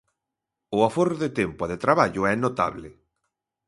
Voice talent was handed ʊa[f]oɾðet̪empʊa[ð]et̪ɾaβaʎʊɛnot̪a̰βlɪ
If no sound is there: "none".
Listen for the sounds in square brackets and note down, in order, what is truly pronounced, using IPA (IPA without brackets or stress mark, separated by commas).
f, ð